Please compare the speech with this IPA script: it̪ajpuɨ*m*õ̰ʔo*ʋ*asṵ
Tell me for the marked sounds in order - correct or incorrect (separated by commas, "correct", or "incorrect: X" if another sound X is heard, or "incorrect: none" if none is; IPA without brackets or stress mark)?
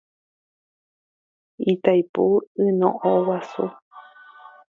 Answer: incorrect: n, incorrect: w